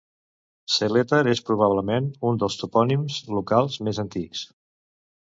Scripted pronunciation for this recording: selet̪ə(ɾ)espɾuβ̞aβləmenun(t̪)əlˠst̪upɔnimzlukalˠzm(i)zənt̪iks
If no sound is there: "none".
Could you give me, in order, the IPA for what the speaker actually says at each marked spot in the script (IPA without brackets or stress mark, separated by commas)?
ɾ, d̪, e